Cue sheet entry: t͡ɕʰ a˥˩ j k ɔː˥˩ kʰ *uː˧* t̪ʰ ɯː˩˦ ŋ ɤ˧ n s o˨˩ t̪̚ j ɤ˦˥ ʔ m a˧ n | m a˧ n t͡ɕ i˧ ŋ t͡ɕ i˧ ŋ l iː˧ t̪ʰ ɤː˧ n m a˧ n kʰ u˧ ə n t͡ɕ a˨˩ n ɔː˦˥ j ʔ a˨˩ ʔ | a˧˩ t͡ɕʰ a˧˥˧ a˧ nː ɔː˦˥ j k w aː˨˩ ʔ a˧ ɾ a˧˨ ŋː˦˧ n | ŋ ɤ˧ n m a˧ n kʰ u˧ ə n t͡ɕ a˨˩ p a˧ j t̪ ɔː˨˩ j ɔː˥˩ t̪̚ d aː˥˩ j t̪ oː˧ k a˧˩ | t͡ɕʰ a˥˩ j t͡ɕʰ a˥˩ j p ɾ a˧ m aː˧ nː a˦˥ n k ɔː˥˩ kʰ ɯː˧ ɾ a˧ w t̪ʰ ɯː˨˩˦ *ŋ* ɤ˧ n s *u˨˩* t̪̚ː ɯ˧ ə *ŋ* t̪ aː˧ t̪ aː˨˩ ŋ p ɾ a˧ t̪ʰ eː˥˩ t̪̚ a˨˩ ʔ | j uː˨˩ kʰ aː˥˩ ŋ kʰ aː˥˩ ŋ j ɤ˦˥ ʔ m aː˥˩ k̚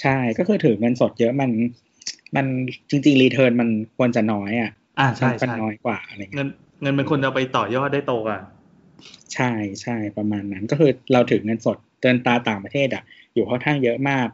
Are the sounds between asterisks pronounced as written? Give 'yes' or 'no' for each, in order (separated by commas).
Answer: no, yes, no, no